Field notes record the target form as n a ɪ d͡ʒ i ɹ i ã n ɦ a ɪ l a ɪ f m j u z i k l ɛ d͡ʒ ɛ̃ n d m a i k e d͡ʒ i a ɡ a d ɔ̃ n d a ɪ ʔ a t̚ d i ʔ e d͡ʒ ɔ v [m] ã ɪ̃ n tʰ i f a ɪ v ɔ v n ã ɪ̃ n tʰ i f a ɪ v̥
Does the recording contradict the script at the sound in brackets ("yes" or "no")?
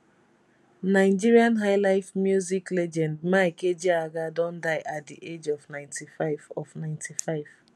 yes